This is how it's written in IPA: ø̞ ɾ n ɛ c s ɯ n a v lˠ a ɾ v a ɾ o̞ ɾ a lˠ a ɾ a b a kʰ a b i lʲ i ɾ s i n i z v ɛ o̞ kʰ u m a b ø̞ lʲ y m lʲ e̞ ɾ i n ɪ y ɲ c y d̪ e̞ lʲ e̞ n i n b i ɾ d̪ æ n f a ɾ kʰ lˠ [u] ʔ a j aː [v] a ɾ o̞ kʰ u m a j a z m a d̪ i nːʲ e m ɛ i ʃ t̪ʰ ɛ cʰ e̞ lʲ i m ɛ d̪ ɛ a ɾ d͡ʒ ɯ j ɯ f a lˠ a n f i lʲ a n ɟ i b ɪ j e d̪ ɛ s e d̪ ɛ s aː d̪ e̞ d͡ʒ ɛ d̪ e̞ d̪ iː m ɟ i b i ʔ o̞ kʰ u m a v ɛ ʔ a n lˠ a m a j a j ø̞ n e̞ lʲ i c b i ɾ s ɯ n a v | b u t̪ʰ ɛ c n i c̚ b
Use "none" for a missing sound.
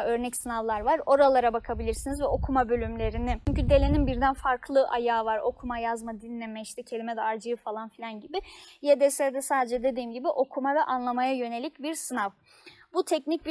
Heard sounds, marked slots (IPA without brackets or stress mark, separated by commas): ɯ, v